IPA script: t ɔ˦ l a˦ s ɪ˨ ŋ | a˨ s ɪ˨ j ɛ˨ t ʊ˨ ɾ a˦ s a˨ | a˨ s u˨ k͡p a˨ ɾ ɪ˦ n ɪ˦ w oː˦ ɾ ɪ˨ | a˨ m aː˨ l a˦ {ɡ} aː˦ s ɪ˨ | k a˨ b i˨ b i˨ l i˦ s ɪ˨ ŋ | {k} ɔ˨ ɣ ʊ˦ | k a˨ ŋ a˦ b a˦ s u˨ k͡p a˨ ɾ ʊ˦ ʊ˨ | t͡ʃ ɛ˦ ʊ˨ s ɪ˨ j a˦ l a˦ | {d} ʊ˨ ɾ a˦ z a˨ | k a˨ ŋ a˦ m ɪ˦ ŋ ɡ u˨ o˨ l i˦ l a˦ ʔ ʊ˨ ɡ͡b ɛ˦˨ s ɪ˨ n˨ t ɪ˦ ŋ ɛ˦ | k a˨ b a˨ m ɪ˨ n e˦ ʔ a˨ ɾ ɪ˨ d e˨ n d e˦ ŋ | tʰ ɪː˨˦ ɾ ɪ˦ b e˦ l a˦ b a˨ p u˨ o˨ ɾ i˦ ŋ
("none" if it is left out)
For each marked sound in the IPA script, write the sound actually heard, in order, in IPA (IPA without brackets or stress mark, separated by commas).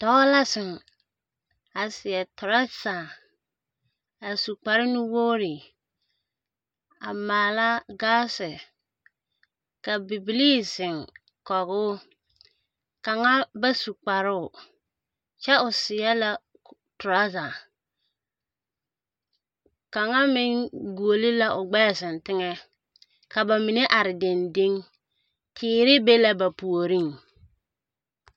ɡ, k, t